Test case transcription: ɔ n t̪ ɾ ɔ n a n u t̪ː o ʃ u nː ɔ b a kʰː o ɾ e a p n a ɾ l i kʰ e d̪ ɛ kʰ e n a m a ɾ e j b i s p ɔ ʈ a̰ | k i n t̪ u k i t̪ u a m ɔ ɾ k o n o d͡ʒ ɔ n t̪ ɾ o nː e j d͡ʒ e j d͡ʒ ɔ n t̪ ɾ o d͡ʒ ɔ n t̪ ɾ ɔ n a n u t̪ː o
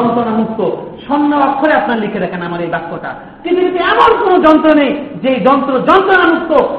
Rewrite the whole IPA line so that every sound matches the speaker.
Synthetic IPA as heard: ɔ n t̪ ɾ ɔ n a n u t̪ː o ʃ ɔ nː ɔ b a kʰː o ɾ e a p n a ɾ l i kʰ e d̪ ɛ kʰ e n a m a ɾ e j b a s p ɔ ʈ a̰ | k i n t̪ u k i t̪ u a m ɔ ɾ k o n o d͡ʒ ɔ n t̪ ɾ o n e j d͡ʒ e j d͡ʒ ɔ n t̪ ɾ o d͡ʒ ɔ n t̪ ɾ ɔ n a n u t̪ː o